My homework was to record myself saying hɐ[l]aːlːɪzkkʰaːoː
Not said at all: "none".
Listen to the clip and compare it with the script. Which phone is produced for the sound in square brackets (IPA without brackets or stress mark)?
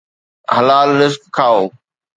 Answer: l